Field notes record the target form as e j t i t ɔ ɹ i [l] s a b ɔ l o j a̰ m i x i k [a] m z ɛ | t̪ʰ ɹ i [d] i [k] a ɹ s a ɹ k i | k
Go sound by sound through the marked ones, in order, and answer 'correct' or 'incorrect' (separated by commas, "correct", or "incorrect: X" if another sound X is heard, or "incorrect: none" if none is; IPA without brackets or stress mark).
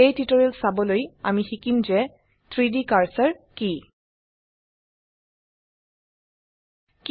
correct, incorrect: i, correct, correct